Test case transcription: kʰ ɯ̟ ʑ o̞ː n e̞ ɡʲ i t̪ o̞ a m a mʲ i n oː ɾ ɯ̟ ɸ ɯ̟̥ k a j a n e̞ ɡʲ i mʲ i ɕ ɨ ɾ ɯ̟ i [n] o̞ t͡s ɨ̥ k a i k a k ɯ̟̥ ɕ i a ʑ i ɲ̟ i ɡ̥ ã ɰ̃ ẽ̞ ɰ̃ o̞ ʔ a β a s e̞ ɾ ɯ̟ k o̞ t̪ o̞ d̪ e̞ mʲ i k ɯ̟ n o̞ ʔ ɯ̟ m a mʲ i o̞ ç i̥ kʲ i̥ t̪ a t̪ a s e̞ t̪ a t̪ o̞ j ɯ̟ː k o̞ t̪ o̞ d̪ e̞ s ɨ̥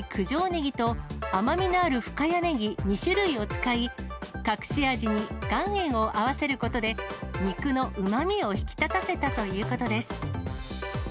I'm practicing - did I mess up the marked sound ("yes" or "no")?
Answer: yes